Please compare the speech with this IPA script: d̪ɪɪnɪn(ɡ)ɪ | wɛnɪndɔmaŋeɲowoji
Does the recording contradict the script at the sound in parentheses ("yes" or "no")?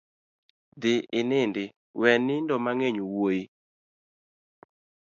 yes